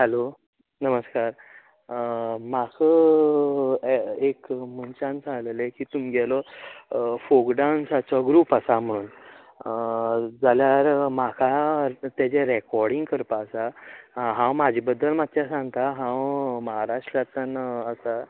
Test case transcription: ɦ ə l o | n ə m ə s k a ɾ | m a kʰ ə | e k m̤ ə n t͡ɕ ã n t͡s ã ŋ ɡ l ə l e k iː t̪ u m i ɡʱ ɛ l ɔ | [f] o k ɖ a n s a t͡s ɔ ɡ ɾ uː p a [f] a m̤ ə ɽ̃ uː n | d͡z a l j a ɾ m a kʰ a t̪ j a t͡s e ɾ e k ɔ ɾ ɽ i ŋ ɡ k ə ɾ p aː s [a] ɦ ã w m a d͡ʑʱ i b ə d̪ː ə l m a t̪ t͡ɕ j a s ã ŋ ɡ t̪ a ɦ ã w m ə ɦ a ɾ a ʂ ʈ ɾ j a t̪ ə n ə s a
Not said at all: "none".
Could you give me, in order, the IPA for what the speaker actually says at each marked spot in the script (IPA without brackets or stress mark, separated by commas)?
f, s, a